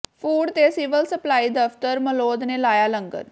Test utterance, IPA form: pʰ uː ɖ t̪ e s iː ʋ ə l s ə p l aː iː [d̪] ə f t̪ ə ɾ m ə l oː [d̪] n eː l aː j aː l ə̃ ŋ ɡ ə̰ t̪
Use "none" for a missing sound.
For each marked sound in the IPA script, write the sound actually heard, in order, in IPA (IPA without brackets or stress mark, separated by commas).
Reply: d̪, d̪